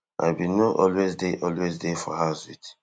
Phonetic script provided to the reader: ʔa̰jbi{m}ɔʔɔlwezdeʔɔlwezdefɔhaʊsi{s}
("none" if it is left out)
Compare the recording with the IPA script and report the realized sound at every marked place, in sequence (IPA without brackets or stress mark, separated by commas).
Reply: n, t